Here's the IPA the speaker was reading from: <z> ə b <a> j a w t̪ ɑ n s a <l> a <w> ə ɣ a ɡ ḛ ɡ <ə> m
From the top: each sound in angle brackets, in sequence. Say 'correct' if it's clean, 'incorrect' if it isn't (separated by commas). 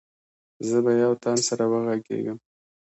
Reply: correct, correct, incorrect, correct, correct